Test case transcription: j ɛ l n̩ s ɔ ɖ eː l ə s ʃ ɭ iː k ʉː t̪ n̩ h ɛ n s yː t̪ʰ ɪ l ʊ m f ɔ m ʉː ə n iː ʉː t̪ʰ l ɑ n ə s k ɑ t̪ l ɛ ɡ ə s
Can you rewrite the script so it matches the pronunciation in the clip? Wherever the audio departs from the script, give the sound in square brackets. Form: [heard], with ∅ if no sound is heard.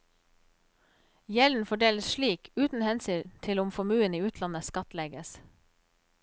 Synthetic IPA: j ɛ l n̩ [f] ɔ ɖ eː l ə s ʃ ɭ iː k ʉː t̪ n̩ h ɛ n s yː t̪ʰ ɪ l ʊ m f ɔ m ʉː ə n iː ʉː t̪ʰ l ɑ n ə s k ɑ t̪ l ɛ ɡ ə s